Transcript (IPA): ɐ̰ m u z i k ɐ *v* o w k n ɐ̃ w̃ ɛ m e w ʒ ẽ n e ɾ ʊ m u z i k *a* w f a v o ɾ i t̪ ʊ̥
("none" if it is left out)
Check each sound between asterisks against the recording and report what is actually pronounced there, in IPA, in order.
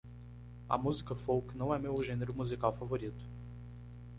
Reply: f, a

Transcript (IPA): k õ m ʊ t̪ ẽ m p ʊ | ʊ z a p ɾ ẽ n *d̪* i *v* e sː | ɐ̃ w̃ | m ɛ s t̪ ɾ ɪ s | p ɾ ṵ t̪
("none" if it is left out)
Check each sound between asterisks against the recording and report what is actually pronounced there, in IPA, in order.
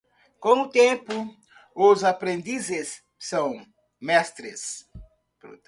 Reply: d̪, z

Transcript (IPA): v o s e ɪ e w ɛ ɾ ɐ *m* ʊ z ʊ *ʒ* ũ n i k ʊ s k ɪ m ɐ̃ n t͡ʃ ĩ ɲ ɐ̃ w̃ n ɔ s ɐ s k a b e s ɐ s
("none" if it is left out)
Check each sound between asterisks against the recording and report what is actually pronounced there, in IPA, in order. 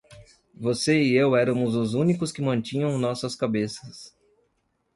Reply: m, z

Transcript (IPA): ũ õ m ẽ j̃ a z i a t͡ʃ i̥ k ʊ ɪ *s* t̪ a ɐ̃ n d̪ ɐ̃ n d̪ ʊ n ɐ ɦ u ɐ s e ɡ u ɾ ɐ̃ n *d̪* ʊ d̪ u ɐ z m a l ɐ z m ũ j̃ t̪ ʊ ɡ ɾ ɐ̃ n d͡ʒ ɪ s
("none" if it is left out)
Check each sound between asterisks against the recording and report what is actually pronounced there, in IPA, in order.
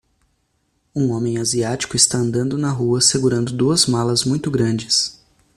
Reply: s, d̪

